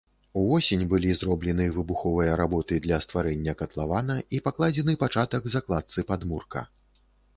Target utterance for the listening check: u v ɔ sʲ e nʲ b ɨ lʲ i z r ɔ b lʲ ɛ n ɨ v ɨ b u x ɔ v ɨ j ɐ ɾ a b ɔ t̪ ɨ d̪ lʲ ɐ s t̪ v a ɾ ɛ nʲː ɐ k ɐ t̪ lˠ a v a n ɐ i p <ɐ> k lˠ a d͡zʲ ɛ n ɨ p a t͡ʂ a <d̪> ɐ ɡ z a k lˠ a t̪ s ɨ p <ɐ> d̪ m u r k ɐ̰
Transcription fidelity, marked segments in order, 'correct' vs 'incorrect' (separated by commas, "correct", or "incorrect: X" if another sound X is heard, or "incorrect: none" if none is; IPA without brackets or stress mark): incorrect: a, incorrect: t̪, incorrect: a